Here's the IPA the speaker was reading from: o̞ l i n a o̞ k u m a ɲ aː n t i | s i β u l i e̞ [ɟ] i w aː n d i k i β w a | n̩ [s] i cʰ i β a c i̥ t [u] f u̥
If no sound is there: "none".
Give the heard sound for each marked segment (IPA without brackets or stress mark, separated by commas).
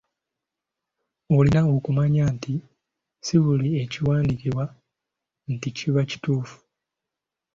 c, t, uː